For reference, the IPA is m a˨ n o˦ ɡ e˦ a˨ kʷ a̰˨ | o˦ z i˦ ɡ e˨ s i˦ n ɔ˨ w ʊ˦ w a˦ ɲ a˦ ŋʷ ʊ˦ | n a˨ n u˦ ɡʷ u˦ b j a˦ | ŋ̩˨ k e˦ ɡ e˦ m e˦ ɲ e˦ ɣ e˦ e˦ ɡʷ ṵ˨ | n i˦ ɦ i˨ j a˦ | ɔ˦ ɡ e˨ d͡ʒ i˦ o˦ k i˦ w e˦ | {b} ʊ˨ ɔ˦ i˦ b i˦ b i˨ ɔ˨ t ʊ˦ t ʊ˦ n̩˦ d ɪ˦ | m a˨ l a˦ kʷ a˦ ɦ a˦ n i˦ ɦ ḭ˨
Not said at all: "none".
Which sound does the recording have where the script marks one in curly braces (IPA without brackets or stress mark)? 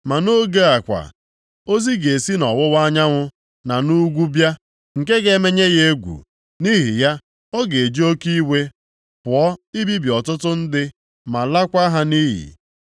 p